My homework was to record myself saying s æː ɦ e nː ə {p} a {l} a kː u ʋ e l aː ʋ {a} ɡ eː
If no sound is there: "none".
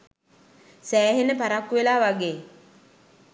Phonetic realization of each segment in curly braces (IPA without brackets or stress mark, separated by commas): p, ɾ, a